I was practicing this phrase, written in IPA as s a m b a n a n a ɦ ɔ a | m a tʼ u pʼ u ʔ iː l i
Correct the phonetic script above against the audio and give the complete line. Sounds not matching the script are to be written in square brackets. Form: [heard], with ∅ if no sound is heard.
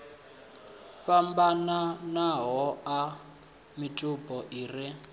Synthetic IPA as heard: [f] a m b a n a n a ɦ ɔ a | m [i] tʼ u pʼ [ɔ] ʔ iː [r] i